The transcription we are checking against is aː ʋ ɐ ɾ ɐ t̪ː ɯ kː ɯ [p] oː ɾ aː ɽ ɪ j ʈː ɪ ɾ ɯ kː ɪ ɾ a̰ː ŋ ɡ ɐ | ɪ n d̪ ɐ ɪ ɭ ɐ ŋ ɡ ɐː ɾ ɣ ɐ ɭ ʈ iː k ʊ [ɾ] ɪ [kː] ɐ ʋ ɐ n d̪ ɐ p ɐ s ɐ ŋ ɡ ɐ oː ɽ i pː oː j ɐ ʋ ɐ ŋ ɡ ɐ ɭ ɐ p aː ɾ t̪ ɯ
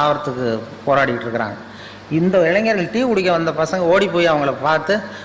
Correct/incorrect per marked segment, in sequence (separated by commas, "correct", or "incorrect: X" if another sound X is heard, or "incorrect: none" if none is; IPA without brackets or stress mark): correct, incorrect: ɽ, correct